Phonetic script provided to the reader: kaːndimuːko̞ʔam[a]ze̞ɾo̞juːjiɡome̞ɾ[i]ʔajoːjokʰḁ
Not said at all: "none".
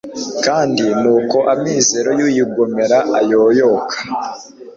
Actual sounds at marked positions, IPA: i, a

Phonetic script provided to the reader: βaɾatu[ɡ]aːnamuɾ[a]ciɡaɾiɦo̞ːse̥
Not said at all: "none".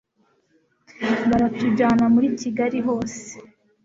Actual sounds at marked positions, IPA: ɟ, i

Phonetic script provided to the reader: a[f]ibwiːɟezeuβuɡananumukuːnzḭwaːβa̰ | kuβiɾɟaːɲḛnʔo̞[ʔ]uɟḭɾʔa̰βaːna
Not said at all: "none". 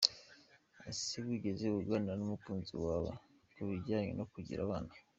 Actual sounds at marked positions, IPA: s, k

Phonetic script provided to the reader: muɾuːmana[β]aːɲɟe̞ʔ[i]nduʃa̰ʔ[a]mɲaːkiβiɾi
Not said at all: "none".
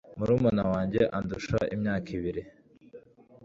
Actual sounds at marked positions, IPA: w, a, i

